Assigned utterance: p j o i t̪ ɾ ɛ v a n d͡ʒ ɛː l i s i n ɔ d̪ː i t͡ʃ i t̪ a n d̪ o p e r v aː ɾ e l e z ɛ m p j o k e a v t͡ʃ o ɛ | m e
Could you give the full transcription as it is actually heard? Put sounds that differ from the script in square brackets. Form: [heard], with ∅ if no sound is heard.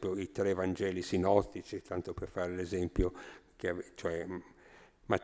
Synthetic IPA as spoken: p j o i t̪ ɾ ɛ v a n d͡ʒ ɛː l i s i n ɔ [t̪ː] i t͡ʃ i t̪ a n [t̪] o p e r [f] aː ɾ e l e z ɛ m p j o k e a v t͡ʃ o ɛ | m [a]